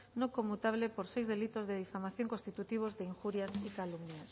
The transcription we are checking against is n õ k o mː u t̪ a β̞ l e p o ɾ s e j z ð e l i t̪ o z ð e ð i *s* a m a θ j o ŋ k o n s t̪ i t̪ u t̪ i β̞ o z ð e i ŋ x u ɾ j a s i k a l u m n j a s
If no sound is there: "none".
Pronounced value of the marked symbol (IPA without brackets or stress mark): f